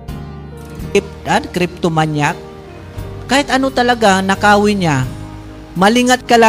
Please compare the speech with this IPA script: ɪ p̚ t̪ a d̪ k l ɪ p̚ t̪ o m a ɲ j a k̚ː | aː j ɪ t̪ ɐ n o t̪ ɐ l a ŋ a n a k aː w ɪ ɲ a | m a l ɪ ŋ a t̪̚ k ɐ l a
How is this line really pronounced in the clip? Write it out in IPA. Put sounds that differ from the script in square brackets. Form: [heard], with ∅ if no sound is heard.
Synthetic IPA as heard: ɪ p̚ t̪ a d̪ k [ɾ] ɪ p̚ t̪ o m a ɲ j a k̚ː | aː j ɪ t̪ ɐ n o t̪ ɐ l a [ɡ] a n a k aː w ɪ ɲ a | m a l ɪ ŋ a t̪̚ k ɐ l a